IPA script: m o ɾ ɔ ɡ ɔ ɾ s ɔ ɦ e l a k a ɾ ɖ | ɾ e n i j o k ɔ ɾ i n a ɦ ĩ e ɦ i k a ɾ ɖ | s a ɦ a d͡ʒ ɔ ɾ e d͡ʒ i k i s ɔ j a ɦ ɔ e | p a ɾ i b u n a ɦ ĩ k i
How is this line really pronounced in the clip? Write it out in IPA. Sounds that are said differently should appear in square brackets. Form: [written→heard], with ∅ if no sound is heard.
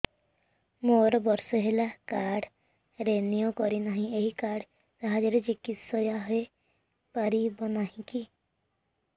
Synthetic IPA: m o ɾ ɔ [ɡ→b] ɔ ɾ s ɔ ɦ e l a k a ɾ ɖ | ɾ e n i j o k ɔ ɾ i n a ɦ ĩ e ɦ i k a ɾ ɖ | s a ɦ a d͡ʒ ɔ ɾ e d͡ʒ i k i s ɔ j a ɦ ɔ e | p a ɾ i b [u→ɔ] n a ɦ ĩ k i